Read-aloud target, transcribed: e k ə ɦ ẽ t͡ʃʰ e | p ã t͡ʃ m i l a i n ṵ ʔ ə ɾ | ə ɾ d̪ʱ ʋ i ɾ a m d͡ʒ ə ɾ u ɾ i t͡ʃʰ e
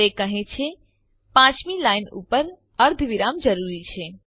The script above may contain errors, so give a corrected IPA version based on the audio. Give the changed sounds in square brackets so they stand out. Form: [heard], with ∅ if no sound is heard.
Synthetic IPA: e k ə ɦ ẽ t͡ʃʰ e | p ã t͡ʃ m i l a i n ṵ [p] ə ɾ | ə ɾ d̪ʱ ʋ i ɾ a m d͡ʒ ə ɾ u ɾ i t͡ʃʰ e